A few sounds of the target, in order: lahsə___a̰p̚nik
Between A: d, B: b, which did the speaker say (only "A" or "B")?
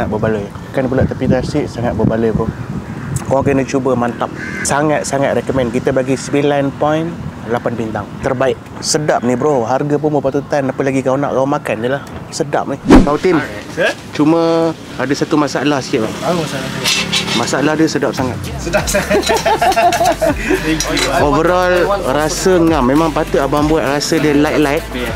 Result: A